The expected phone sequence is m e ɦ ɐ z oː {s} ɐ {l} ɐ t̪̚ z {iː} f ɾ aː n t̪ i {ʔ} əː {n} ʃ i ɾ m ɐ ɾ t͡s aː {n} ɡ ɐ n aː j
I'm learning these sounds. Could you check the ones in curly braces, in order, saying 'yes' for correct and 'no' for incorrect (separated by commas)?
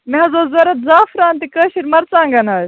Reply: no, no, no, no, no, no